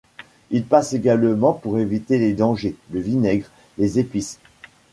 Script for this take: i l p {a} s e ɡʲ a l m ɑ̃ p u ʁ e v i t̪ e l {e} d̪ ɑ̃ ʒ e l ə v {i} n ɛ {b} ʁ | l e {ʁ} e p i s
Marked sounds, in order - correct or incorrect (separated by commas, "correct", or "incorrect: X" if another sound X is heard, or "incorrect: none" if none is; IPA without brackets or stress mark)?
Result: correct, correct, correct, incorrect: ɡ, incorrect: z